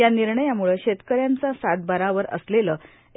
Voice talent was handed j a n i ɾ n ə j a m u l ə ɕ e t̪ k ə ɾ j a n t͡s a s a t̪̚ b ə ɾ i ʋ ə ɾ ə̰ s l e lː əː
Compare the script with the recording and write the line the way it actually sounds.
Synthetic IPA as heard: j a n i ɾ ɳ ə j a m u ɭ ə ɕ e t̪ k ə ɾ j a n t͡s a s a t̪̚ b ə ɾ a ʋ ə ɾ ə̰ s l e l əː